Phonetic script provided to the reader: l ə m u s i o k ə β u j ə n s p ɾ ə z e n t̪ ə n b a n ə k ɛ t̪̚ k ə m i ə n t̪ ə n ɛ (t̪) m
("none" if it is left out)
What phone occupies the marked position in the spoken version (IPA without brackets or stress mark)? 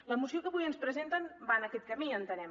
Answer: none